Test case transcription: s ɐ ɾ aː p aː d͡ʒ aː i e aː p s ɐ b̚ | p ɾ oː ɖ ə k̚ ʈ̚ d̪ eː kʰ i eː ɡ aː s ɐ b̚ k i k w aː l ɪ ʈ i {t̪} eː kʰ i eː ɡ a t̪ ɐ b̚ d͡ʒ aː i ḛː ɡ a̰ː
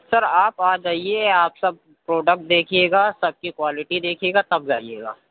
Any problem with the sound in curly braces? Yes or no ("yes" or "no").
yes